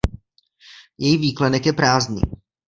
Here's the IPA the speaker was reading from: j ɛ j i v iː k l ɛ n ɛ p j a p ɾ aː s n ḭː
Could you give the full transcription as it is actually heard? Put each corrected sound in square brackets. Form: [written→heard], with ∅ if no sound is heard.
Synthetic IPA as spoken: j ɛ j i v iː k l ɛ n ɛ [p→k] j [a→ɛ] p ɾ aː [s→z] n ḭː